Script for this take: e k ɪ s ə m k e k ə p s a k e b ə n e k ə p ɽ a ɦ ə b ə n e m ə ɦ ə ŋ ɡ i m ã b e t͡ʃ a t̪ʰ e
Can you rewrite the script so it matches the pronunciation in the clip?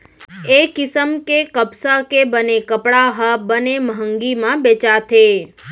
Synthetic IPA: e k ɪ s ə m k e k ə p s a k e b ə n e k ə p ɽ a ɦ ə b ə n e m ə ɦ ə ŋ ɡ i m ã b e t͡ʃ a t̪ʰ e